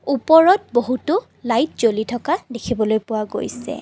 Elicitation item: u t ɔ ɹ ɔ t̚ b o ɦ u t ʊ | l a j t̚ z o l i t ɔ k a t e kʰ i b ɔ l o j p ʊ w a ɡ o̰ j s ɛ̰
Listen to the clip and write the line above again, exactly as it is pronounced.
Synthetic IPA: u p ɔ ɹ ɔ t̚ b o ɦ u t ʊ | l a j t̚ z o l i tʰ ɔ k a d e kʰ i b ɔ l o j p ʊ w a ɡ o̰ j s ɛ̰